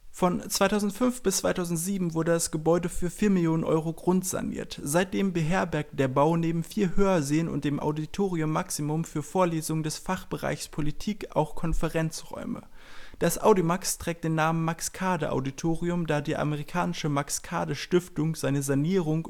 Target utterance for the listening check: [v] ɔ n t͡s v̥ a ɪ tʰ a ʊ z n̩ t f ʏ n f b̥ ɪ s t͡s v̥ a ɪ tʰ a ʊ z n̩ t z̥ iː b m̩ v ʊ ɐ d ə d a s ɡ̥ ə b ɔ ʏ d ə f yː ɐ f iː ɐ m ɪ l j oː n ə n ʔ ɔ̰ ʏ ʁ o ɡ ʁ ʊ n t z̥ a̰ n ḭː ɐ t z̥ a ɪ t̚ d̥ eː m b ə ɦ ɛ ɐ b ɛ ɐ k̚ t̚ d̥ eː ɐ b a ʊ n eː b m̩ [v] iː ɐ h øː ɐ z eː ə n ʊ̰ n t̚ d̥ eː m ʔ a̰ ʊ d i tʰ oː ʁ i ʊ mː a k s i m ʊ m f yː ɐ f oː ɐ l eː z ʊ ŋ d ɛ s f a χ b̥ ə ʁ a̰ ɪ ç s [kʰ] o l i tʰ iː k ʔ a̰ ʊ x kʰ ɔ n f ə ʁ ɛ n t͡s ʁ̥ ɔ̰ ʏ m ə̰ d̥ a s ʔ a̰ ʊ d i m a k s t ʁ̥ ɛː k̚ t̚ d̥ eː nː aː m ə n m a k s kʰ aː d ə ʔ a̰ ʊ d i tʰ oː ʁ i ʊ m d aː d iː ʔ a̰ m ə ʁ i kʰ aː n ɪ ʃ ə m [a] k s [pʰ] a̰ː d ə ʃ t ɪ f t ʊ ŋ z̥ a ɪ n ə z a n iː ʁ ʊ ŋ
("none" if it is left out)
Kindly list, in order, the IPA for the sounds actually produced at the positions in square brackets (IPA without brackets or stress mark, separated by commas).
f, f, pʰ, a, kʰ